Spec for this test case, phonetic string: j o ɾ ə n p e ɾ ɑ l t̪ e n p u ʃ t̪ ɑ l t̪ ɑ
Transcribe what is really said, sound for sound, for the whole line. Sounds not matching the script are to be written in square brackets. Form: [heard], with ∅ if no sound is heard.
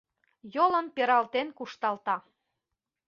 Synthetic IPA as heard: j o [l] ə n p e ɾ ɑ l t̪ e n [k] u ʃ t̪ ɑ l t̪ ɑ